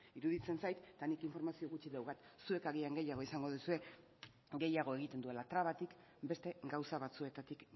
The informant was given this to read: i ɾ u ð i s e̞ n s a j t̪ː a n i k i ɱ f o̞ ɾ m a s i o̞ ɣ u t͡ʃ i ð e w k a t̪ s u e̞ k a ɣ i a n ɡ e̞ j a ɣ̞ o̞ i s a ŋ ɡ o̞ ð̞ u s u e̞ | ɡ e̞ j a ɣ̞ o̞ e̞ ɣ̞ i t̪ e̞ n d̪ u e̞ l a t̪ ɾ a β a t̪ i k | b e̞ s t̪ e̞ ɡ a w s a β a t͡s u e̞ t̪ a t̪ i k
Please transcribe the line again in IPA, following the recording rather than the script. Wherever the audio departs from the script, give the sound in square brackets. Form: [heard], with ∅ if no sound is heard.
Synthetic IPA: i ɾ u ð i [t͡s] e̞ n s a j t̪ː a n i k i ɱ f o̞ ɾ m a s i o̞ ɣ u t͡ʃ i ð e w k a t̪ s u e̞ k a ɣ i a [ŋ] ɡ e̞ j a ɣ̞ o̞ i s a ŋ ɡ o̞ ð̞ u s u e̞ | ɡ e̞ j a ɣ̞ o̞ e̞ ɣ̞ i t̪ e̞ n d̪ u e̞ l a t̪ ɾ a β a t̪ i k | b e̞ s t̪ e̞ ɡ a w s a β a t͡s u e̞ t̪ a t̪ i k